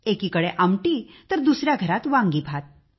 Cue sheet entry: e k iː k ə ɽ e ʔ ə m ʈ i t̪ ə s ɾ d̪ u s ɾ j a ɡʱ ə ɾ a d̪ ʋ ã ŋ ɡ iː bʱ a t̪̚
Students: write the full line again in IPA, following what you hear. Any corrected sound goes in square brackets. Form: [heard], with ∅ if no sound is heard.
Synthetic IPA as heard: e k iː k ə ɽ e ʔ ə m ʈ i t̪ ə [∅] ɾ d̪ u s ɾ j a ɡʱ ə ɾ a [t̪] ʋ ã ŋ ɡ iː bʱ a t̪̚